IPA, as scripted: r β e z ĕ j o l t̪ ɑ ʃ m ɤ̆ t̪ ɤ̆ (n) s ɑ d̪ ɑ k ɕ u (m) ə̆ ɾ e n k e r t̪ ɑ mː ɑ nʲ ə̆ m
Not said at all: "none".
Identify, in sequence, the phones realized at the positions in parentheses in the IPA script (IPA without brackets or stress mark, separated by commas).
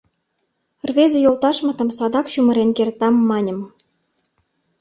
m, m